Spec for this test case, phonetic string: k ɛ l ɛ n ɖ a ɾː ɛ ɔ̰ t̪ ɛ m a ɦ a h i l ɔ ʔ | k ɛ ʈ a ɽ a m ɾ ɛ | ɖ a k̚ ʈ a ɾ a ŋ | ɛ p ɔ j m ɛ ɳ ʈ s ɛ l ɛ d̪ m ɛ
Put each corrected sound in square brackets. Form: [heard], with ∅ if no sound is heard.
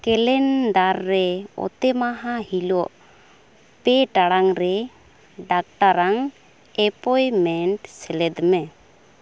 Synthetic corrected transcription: k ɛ l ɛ n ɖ a ɾː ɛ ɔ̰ t̪ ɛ m a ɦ a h i l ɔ ʔ | [p] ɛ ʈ a ɽ a [ŋ] ɾ ɛ | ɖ a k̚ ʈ a ɾ a ŋ | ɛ p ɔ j m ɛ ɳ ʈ s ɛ l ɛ d̪ m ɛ